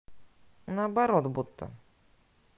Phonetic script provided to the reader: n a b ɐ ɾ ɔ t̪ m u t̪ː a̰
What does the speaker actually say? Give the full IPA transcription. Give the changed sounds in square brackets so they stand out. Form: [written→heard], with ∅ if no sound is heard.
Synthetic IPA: n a b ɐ ɾ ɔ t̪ [m→b] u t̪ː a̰